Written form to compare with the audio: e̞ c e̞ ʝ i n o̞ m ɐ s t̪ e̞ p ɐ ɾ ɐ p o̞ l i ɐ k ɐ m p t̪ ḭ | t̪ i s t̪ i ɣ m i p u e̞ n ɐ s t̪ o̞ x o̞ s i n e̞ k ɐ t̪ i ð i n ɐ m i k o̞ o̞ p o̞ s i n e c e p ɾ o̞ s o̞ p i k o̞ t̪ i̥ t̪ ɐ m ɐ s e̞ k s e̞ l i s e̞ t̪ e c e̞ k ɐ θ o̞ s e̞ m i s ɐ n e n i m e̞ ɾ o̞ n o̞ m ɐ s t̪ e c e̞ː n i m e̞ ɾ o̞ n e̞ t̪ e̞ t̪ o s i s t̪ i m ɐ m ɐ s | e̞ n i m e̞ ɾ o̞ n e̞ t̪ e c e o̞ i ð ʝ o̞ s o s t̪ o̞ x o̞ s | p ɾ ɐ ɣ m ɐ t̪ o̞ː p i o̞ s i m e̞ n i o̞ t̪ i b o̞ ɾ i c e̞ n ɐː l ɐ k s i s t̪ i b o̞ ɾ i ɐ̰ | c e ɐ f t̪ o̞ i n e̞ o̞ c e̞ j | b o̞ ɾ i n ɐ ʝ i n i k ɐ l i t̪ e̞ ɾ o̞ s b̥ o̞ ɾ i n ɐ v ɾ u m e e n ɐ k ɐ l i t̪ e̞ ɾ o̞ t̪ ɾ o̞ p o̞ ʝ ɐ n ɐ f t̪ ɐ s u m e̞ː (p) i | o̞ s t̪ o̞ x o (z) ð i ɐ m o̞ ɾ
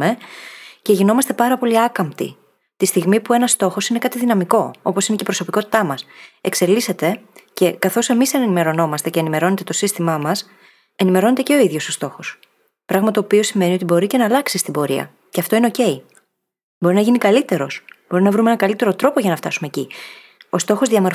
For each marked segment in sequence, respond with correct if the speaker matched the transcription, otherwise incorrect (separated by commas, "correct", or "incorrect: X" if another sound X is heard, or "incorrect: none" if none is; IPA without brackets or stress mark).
incorrect: c, correct